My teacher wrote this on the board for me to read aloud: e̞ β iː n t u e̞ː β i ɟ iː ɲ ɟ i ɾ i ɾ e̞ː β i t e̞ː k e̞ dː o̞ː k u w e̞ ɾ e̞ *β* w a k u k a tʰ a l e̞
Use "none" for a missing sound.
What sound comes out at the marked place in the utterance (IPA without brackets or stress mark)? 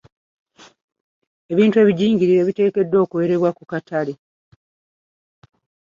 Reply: β